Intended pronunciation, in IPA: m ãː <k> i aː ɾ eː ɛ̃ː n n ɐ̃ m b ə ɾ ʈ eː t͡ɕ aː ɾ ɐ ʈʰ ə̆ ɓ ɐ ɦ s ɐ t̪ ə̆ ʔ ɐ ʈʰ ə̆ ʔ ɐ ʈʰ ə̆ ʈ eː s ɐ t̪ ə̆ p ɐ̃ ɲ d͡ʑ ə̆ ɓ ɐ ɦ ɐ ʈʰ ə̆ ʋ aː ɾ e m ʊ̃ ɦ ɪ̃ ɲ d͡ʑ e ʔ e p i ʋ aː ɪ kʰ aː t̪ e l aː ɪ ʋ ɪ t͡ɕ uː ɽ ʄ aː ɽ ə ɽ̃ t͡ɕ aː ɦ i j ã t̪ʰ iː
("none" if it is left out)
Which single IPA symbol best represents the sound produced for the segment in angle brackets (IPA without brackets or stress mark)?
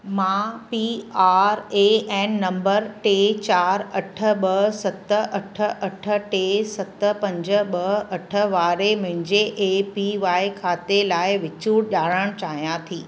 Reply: p